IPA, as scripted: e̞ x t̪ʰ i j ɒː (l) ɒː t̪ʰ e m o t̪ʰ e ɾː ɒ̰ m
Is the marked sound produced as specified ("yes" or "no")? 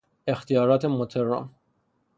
no